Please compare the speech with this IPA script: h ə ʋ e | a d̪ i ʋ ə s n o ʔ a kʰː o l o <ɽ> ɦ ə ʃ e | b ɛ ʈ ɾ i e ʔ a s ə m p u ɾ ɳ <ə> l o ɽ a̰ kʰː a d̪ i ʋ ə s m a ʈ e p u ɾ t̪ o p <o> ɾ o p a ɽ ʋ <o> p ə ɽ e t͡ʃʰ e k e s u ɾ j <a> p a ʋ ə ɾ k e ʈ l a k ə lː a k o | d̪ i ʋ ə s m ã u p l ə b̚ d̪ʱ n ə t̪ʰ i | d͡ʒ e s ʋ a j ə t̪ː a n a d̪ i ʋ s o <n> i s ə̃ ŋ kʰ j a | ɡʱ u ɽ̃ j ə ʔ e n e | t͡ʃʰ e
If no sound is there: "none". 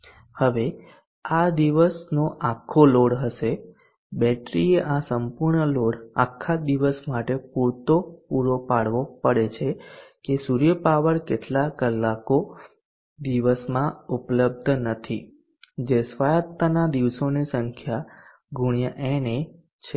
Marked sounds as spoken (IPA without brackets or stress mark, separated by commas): ɽ, ə, u, o, ə, n